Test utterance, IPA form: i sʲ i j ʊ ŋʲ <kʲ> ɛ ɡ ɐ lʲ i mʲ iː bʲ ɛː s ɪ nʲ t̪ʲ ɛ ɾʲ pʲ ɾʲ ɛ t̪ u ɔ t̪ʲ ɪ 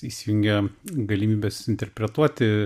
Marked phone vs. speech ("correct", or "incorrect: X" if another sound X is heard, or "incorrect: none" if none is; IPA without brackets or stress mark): incorrect: ɡʲ